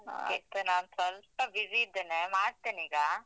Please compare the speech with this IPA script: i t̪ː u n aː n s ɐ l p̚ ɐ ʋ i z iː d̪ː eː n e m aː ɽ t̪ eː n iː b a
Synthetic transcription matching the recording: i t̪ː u n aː n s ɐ l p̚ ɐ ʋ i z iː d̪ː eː n e m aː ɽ t̪ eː n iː ɡ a